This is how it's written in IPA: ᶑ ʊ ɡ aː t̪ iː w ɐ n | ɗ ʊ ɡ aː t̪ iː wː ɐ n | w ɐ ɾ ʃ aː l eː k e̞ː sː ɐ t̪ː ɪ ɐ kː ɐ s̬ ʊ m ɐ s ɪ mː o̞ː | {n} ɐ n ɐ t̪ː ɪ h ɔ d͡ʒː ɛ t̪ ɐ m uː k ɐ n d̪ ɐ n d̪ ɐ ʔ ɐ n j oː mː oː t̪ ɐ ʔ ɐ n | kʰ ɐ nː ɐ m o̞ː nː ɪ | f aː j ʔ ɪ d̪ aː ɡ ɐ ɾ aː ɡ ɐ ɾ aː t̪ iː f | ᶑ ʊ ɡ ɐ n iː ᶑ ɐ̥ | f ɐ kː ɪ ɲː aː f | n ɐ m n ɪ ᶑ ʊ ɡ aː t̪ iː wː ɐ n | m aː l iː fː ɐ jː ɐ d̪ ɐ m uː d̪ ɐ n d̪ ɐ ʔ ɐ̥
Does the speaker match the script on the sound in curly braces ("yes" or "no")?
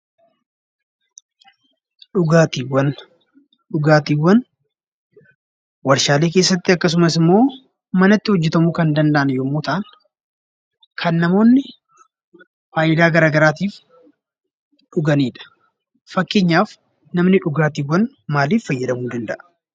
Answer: no